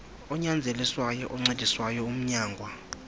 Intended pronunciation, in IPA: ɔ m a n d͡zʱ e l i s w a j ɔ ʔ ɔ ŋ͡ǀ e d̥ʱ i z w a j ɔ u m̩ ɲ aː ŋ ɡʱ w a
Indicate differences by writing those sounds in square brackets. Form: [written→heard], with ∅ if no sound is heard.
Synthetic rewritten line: ɔ [m→ɲ] a n d͡zʱ e l i s w a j ɔ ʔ ɔ ŋ͡ǀ e d̥ʱ i [z→s] w a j ɔ u m̩ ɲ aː ŋ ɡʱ w a